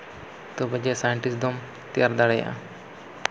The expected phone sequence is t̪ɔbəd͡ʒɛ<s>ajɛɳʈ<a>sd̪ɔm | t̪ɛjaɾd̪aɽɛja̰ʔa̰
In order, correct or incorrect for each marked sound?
correct, incorrect

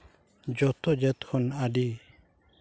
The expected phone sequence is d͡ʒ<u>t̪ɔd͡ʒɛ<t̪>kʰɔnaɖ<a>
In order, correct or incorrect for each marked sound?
incorrect, correct, incorrect

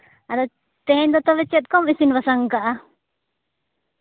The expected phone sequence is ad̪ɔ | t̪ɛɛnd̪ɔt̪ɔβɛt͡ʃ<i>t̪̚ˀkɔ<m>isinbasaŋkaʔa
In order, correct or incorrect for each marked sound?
incorrect, correct

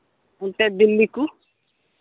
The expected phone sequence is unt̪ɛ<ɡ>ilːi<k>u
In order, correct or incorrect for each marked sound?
incorrect, correct

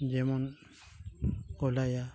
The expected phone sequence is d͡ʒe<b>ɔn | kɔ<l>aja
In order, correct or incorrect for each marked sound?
incorrect, correct

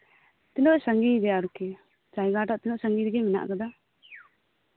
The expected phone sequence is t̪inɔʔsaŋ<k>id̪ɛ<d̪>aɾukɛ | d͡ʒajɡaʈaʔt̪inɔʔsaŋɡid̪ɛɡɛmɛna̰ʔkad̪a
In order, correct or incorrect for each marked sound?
incorrect, incorrect

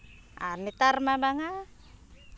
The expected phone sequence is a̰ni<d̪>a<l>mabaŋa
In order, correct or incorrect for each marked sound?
incorrect, incorrect

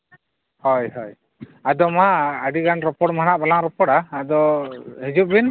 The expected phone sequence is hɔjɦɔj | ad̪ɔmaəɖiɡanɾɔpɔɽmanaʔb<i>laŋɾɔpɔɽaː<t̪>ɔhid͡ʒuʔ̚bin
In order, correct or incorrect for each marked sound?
incorrect, incorrect

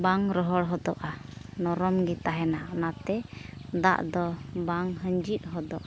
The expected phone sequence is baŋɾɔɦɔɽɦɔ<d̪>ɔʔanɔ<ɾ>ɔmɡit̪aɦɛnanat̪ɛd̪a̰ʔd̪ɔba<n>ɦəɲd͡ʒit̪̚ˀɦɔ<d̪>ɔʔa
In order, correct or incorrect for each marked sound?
correct, correct, incorrect, correct

